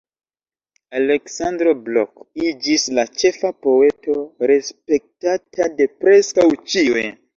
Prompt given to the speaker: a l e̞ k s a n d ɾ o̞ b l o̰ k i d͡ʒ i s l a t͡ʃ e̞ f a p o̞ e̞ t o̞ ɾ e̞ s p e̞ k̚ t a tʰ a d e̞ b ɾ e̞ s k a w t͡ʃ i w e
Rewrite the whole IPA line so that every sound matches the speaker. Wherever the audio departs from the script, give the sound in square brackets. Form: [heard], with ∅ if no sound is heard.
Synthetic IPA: a l e̞ k s a n d ɾ o̞ b l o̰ k i d͡ʒ i s l a t͡ʃ e̞ f a p o̞ e̞ t o̞ ɾ e̞ s p e̞ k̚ t a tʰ a d e̞ [p] ɾ e̞ s k a w t͡ʃ i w e